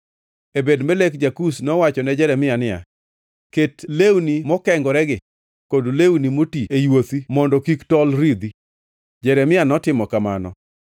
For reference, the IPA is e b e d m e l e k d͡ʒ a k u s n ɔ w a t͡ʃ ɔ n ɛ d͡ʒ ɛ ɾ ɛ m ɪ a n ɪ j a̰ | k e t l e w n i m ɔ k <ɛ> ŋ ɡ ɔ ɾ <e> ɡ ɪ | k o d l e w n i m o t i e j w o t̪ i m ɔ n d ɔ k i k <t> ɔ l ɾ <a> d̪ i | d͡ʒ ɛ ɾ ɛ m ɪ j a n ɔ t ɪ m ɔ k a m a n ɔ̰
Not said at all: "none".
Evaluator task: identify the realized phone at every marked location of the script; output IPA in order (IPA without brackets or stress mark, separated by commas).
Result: ɛ, ɛ, t, i